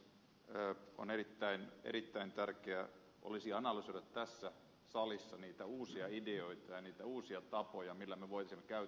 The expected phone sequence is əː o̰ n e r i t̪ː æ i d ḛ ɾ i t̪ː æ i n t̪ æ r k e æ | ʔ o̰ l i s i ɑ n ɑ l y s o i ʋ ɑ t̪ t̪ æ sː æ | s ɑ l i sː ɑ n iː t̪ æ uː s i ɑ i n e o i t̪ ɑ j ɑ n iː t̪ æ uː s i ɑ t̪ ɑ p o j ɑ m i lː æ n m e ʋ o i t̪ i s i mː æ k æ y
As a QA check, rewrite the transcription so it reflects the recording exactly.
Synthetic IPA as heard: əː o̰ n e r i t̪ː æ i n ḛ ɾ i t̪ː æ i n t̪ æ r k e æ | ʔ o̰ l i s i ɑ n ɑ l y s o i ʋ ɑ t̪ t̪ æ sː æ | s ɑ l i sː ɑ n iː t̪ æ uː s i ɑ i d e o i t̪ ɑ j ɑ n iː t̪ æ uː s i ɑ t̪ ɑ p o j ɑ m i lː æ m e ʋ o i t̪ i s i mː e k æ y

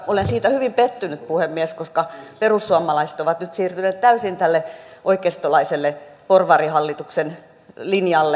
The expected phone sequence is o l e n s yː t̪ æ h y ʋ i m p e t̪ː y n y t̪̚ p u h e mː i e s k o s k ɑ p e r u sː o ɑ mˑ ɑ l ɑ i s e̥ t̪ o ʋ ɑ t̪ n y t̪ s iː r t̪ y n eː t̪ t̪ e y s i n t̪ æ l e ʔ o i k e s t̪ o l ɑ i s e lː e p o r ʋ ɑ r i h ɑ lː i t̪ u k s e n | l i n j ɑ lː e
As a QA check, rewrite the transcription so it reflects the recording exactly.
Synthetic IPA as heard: o l e n s iː t̪ æ h y ʋ i m p e t̪ː y n y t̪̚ p u h e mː i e s k o s k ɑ p e r u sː u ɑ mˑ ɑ l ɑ i s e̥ t̪ o ʋ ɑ t̪ n y t̪ s iː r t̪ y n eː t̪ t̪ æ y s i n t̪ æ lː e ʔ o i k e s t̪ o l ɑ i s e lː e p o r ʋ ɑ r i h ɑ lː i t̪ u k s e n | l i n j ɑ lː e

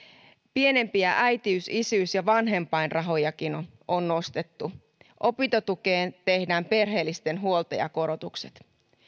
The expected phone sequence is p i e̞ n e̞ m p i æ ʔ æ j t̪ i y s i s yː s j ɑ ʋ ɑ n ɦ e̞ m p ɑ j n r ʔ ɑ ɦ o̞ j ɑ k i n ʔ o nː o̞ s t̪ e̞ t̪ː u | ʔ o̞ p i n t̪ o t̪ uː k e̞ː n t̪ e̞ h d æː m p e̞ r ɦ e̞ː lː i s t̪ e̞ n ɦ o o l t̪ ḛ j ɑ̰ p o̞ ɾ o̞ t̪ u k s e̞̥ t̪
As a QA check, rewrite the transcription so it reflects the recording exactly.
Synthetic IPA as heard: p i e̞ n e̞ m p i æ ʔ æ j t̪ i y s i s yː s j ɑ ʋ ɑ n ɦ e̞ m p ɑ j n r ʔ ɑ ɦ o̞ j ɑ k i n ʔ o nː o̞ s t̪ e̞ t̪ː u | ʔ o̞ p i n t̪ o t̪ u k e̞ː n t̪ e̞ h d æː m p e̞ r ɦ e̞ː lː i s t̪ e̞ n ɦ u o l t̪ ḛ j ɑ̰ k o̞ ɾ o̞ t̪ u k s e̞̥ t̪

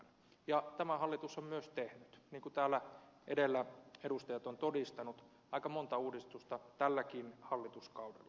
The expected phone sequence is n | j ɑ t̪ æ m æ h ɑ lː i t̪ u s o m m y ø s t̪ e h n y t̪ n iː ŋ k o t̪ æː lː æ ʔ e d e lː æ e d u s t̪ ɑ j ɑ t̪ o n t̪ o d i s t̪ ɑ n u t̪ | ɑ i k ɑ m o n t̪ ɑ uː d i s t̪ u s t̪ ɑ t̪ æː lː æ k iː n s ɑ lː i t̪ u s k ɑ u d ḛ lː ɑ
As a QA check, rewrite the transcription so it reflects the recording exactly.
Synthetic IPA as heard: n | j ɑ t̪ æ m æ h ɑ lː i t̪ u s o m m y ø s t̪ e h n y t̪ n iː ŋ k u t̪ æː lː æ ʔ e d e lː æ e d u s t̪ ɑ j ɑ t̪ o n t̪ o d i s t̪ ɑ n u t̪ | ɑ i k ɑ m o n t̪ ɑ uː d i s t̪ u s t̪ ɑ t̪ æ lː æ k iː n h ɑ lː i t̪ u s k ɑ u d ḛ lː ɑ

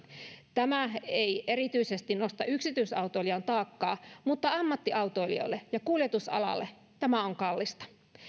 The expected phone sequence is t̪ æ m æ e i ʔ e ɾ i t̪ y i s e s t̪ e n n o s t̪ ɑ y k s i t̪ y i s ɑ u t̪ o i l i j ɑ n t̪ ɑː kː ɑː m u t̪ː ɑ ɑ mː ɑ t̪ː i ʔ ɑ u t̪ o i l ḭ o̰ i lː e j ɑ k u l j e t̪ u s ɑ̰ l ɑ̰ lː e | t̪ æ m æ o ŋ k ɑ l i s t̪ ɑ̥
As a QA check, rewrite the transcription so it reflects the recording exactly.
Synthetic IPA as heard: t̪ æ m æ e i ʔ e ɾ i t̪ y i s e s t̪ i n n o s t̪ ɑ y k s i t̪ y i s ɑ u t̪ o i l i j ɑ n t̪ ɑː kː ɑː m u t̪ː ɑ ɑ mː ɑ t̪ː i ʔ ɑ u t̪ o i l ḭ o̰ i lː e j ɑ k u l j e t̪ u s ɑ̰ l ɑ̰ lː e | t̪ æ m æ o ŋ k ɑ lː i s t̪ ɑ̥

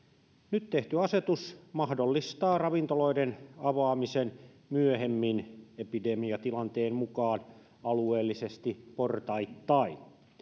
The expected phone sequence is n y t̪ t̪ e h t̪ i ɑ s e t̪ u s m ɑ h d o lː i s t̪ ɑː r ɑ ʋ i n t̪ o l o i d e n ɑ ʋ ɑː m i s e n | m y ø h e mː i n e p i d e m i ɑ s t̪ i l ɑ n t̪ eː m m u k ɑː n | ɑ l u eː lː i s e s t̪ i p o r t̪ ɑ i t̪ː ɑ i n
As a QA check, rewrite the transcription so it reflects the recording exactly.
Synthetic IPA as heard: n y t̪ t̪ e h t̪ y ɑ s e t̪ u s m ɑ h d o lː i s t̪ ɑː r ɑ ʋ i n t̪ o l o i d e n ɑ ʋ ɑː m i s e n | m y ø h e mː i n e p i d e m i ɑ t̪ i l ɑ n t̪ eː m m u k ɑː n | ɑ l u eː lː i s e s t̪ i p o r t̪ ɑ i t̪ː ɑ i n

